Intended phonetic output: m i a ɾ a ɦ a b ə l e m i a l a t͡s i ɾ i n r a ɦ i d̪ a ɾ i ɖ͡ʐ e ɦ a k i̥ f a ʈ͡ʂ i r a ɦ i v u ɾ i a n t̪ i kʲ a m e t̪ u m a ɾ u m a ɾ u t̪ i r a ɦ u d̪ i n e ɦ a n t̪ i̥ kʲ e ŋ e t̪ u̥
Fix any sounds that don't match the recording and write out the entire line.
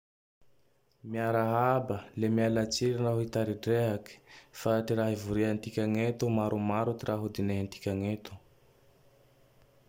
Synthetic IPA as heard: m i a ɾ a ɦ a b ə l e m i a l a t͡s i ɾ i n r a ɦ i t̪ a ɾ i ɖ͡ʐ e ɦ a k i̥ f a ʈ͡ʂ i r a ɦ i v u ɾ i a n t̪ i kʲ a ŋ e t̪ u m a ɾ u m a ɾ u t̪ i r a ɦ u d̪ i n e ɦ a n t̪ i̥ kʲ a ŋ e t̪ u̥